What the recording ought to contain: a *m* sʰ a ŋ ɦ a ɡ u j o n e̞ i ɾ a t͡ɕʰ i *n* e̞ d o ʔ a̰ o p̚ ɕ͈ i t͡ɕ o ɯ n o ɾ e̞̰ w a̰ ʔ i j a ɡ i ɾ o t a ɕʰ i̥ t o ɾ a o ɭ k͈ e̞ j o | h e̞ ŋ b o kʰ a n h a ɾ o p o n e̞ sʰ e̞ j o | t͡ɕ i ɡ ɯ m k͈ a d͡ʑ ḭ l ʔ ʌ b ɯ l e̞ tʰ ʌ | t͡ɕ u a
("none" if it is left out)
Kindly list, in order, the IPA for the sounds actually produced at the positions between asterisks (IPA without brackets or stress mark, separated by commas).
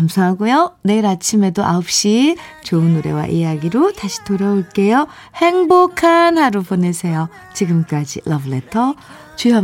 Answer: m, m